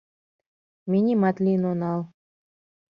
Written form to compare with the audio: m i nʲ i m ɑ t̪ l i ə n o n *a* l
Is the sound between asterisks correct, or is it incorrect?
incorrect